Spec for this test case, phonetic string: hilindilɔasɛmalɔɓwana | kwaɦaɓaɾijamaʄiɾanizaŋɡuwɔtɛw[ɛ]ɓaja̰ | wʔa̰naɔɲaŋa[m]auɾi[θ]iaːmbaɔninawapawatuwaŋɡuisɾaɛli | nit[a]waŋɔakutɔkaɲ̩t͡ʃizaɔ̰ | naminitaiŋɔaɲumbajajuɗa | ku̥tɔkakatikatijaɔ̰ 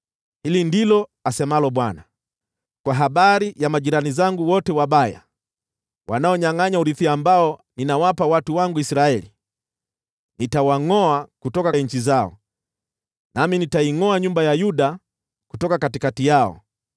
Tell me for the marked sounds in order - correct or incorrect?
incorrect, incorrect, correct, correct

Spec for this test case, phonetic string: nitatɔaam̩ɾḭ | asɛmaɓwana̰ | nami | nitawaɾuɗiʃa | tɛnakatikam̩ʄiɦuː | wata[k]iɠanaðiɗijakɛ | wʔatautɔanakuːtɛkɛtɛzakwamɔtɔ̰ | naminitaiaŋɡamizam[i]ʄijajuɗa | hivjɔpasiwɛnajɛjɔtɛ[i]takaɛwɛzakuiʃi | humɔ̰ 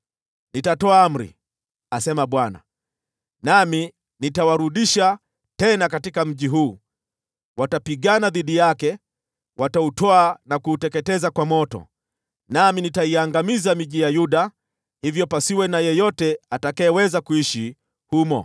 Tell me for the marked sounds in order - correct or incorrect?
incorrect, correct, incorrect

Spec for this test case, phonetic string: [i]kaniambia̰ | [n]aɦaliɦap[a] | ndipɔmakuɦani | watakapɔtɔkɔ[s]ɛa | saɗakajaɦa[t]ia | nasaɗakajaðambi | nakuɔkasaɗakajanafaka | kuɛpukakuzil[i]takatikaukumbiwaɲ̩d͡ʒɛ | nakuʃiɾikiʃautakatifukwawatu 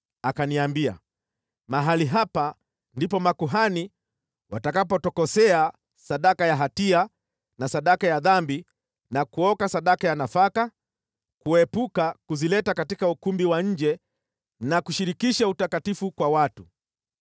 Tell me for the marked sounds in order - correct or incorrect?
incorrect, incorrect, correct, correct, correct, incorrect

